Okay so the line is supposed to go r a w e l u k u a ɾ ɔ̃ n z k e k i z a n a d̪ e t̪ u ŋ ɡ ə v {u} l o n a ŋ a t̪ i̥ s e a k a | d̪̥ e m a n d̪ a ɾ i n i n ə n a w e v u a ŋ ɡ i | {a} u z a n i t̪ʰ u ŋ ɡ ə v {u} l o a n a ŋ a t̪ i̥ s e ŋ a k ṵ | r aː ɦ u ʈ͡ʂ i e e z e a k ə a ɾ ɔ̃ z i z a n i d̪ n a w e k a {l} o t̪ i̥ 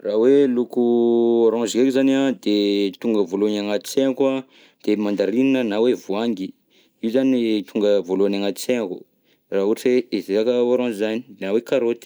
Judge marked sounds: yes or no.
no, no, no, no

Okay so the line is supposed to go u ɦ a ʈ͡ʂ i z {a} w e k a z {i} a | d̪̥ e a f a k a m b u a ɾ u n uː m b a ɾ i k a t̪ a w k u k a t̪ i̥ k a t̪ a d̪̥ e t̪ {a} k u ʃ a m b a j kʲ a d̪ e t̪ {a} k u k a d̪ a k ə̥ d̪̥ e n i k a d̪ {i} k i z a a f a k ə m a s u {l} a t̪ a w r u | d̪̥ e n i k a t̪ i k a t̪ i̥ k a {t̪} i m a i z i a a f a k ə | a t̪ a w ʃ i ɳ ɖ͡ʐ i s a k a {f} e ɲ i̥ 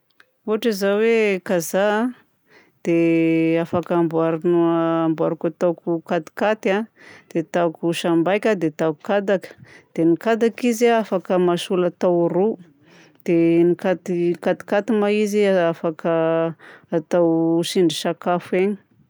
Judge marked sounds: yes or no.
yes, no, yes, yes, no, yes, yes, yes

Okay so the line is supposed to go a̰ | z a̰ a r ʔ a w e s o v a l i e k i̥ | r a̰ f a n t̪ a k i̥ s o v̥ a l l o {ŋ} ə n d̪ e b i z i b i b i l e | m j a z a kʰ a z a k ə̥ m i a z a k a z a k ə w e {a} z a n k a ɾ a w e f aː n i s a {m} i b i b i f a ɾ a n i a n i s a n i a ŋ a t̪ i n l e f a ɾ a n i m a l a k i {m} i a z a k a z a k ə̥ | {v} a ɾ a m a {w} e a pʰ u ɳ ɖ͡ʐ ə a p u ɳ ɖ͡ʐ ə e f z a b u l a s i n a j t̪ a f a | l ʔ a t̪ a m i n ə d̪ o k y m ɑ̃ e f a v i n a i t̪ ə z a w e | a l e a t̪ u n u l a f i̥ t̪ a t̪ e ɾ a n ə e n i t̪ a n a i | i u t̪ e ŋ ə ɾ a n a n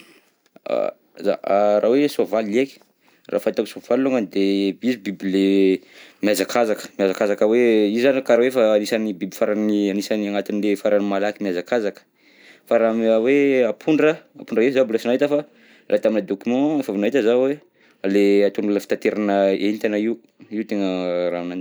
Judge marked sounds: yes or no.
yes, no, no, yes, no, yes

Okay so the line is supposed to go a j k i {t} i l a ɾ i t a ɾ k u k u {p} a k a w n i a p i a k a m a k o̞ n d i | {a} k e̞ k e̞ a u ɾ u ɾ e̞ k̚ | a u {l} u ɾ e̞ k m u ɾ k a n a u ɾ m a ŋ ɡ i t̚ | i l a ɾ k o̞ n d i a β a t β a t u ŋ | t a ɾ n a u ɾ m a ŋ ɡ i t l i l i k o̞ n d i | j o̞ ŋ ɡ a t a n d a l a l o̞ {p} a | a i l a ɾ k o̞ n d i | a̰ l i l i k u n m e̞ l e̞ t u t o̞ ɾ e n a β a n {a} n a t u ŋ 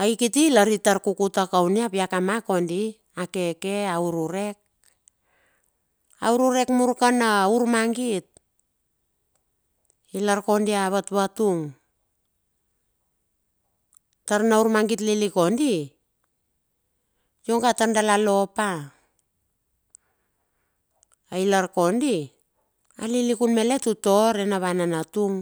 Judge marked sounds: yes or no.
yes, no, yes, no, yes, yes

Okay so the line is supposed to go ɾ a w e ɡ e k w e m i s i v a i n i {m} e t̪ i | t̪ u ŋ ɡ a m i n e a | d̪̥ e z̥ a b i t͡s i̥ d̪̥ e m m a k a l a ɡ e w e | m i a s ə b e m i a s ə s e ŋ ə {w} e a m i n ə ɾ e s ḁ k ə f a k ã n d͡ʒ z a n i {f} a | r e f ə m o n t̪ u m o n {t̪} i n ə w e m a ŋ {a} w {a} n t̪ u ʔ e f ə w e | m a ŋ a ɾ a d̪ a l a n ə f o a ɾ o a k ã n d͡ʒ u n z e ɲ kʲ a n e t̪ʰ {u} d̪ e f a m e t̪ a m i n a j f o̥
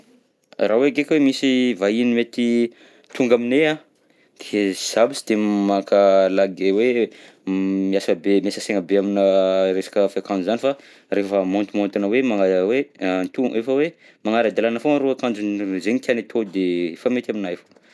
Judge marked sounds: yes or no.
yes, no, yes, yes, yes, no, no

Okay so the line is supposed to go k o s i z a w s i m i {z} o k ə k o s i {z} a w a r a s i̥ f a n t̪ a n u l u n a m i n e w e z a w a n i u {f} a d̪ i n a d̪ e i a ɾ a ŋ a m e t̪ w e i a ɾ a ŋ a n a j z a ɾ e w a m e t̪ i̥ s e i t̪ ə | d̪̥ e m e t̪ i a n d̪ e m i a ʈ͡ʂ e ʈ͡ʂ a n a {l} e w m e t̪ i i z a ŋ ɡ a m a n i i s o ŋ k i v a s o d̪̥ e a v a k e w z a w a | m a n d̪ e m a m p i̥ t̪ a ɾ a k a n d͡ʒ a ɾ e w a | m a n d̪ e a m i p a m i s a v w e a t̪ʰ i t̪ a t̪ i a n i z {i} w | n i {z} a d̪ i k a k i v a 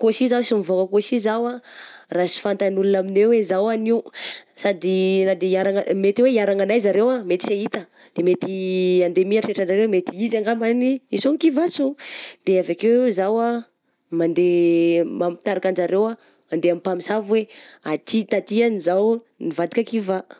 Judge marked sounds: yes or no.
no, yes, no, no, no, no

